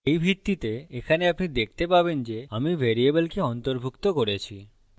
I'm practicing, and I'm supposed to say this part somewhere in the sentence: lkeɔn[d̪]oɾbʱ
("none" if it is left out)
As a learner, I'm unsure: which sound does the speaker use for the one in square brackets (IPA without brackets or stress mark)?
t̪